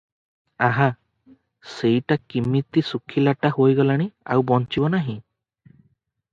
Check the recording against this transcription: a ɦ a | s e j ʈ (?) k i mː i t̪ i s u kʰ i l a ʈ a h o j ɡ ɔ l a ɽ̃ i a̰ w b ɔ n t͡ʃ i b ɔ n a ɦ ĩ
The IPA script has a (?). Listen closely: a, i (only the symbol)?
a